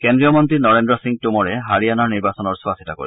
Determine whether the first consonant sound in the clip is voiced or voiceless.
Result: voiceless